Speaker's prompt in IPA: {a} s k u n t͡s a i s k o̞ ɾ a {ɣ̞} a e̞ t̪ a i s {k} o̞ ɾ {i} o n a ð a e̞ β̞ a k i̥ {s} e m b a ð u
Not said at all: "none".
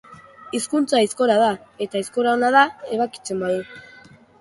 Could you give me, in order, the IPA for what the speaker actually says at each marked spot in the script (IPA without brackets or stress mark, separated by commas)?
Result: i, ð̞, k, a, t͡s